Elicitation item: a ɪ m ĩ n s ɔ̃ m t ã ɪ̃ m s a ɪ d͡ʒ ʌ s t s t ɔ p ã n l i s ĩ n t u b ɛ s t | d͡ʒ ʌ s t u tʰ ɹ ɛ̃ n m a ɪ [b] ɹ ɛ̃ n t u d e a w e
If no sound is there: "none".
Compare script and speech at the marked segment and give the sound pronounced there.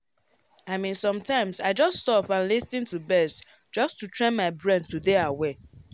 b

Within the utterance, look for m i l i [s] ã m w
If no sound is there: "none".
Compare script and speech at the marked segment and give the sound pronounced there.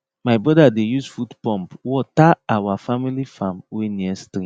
f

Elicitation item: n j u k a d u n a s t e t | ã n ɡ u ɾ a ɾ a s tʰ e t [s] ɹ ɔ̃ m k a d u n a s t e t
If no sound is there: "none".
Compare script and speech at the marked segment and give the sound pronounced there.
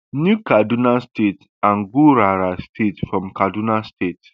f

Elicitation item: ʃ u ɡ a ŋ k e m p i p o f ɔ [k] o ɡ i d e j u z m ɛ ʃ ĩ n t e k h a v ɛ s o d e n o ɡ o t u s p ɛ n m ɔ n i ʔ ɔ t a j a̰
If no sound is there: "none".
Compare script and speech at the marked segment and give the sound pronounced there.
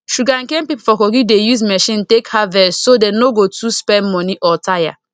k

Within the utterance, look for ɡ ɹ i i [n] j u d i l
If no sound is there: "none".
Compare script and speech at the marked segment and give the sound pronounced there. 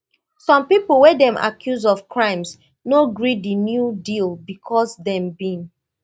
n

